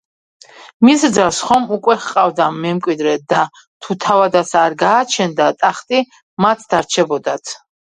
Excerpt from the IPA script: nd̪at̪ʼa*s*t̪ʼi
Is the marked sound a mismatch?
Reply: yes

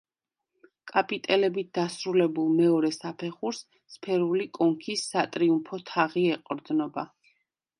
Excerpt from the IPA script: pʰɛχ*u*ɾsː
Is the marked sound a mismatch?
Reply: no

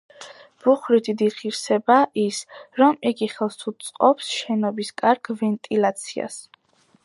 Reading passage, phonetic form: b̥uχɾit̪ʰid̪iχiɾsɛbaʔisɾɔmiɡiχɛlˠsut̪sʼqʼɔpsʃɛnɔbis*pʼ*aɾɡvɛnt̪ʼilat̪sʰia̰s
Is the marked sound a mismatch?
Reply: yes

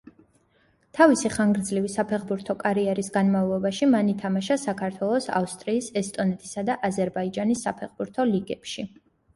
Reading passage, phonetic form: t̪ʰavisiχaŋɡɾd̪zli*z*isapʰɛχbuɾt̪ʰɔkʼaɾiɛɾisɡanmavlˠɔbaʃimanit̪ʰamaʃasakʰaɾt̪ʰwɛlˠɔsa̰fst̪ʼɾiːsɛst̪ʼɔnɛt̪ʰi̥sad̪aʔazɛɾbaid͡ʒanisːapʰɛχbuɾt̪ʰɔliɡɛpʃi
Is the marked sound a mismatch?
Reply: yes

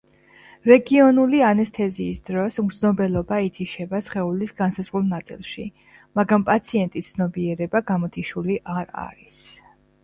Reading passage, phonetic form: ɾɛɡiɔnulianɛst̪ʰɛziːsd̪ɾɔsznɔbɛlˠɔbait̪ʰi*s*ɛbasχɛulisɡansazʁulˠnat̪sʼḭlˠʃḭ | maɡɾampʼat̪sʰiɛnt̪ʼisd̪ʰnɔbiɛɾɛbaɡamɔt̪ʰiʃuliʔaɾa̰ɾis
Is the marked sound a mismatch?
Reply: yes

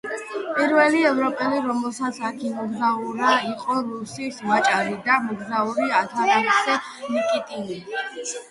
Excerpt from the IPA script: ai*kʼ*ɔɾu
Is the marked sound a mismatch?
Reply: yes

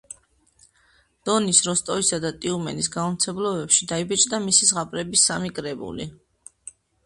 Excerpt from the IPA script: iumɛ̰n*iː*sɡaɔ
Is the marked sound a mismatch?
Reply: yes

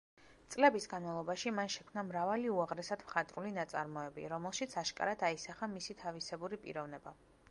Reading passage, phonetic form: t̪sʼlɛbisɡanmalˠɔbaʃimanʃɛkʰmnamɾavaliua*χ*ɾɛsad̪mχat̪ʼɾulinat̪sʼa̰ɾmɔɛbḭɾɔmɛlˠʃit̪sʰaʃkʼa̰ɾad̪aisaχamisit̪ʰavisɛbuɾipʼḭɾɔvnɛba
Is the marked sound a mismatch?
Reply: yes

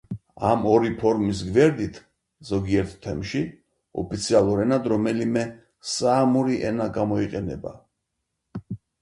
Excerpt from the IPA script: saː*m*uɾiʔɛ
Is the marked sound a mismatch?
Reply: no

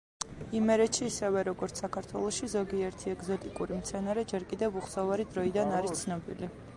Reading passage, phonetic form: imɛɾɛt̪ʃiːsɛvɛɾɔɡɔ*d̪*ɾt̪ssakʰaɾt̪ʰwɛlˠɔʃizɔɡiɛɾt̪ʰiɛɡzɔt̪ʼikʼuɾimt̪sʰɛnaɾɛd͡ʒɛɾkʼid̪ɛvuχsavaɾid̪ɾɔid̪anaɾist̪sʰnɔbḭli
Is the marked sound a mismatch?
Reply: yes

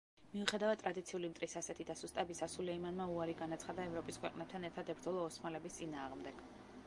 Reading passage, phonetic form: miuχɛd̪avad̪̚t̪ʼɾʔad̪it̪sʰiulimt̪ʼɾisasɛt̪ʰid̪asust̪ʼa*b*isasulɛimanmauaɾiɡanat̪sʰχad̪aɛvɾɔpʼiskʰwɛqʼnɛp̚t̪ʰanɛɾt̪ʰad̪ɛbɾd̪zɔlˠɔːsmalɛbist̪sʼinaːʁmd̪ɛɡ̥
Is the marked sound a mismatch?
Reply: no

